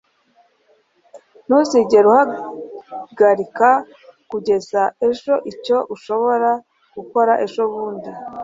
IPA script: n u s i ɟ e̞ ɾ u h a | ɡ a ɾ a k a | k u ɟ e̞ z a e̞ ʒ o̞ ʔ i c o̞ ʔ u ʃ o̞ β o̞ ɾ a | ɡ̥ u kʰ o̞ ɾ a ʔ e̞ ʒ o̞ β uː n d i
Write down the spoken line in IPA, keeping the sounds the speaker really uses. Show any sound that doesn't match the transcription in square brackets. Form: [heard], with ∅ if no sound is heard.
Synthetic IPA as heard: n u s i ɟ e̞ ɾ u h a | ɡ a ɾ [i] k a | k u ɟ e̞ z a e̞ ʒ o̞ ʔ i c o̞ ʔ u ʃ o̞ β o̞ ɾ a | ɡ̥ u [k] o̞ ɾ a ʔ e̞ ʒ o̞ β uː n d i